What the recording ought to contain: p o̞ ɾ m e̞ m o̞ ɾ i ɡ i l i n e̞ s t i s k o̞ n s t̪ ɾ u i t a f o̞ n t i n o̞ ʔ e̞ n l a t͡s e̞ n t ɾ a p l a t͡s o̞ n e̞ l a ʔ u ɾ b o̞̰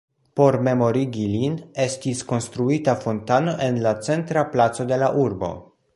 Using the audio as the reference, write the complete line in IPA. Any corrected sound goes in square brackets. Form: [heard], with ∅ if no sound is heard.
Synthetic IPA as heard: p o̞ ɾ m e̞ m o̞ ɾ i ɡ i l i n e̞ s t i s k o̞ n s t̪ ɾ u i t a f o̞ n t [a] n o̞ ʔ e̞ n l a t͡s e̞ n t ɾ a p l a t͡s o̞ [d] e̞ l a ʔ u ɾ b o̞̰